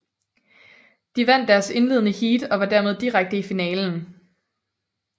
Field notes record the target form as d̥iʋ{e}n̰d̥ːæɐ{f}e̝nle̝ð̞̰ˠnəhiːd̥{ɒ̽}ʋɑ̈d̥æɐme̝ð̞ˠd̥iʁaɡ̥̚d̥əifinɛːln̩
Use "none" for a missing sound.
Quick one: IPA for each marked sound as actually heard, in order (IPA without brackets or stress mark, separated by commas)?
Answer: æ, s, ɒ̽